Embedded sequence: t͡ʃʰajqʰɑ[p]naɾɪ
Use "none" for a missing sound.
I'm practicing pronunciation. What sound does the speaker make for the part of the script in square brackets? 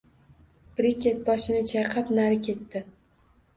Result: p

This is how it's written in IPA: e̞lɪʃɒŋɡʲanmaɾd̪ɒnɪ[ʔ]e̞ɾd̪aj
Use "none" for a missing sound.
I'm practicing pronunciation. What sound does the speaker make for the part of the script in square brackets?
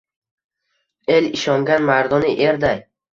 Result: ʔ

